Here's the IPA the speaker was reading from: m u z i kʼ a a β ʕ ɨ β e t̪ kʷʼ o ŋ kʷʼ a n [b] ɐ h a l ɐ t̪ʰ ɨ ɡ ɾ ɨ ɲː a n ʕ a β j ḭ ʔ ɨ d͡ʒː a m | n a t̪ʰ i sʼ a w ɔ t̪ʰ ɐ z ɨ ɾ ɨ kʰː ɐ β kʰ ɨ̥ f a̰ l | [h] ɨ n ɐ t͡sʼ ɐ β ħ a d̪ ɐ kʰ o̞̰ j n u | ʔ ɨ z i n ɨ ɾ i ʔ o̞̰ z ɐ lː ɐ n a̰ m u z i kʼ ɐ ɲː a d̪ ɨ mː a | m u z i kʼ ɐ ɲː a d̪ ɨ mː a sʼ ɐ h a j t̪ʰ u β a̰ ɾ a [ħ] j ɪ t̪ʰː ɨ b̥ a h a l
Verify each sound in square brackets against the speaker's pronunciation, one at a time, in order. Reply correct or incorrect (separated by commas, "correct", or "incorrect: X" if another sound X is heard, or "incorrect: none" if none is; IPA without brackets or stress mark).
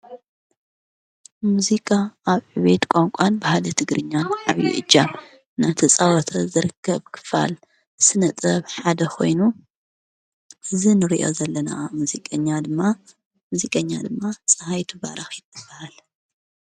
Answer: correct, incorrect: s, incorrect: x